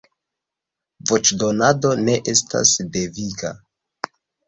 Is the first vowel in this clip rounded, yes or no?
yes